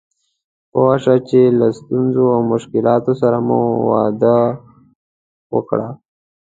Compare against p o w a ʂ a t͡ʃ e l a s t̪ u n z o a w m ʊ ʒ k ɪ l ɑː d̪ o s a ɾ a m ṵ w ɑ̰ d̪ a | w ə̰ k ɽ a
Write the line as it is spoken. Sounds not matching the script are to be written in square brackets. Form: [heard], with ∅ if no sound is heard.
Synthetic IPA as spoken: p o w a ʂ a t͡ʃ e l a s t̪ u n z o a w m ʊ [ʃ] k ɪ l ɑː [t̪] o s a ɾ a m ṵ w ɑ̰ d̪ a | w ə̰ k ɽ a